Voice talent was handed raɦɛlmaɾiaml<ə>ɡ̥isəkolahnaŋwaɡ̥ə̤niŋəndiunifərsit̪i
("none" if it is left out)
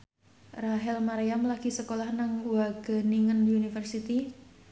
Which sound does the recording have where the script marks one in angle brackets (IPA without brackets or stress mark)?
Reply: a